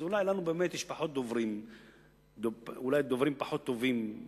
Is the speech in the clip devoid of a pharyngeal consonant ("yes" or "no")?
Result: no